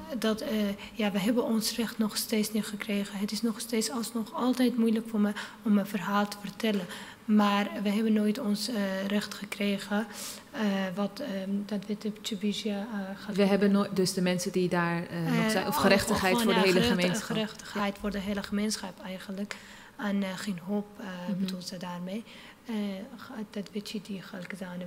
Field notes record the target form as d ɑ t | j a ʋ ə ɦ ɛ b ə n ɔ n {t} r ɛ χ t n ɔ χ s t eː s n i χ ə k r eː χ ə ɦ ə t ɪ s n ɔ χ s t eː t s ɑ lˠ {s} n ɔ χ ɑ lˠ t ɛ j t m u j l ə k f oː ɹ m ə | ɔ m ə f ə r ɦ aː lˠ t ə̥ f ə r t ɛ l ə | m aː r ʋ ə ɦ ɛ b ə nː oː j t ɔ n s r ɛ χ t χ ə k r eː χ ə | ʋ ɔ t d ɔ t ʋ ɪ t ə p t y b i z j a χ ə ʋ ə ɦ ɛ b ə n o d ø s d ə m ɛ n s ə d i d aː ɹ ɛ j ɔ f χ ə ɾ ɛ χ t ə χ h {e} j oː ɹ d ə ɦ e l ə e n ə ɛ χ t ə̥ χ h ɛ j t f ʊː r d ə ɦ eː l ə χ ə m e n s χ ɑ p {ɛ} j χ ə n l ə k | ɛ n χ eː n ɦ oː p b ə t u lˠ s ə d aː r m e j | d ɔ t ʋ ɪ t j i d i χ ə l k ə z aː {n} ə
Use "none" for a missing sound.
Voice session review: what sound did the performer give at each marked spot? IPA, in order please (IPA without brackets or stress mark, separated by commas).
s, s, ɛ, ɛ, n